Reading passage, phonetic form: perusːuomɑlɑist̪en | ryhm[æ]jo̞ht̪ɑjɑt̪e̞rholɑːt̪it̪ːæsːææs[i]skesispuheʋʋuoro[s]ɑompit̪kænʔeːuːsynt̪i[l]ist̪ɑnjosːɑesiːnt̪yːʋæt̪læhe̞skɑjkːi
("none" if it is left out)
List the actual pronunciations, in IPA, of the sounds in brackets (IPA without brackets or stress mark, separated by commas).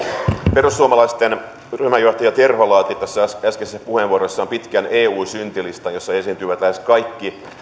æ, æ, sː, l